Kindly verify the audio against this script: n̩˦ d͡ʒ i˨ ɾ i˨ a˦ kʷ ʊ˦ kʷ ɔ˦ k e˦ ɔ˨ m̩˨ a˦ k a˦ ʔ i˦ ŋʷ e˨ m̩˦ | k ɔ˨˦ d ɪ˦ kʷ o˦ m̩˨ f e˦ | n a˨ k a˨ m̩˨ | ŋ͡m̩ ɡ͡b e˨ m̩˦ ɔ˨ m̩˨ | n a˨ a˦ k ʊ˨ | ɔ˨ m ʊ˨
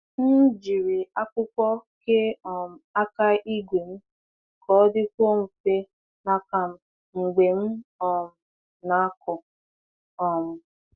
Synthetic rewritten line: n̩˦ d͡ʒ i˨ ɾ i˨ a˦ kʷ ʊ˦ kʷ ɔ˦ k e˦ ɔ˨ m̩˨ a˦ k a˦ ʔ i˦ ɡʷ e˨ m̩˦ | k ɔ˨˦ d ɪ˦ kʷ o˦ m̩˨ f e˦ | n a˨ k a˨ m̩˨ | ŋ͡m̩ ɡ͡b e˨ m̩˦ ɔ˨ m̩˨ | n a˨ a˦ k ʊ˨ | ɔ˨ m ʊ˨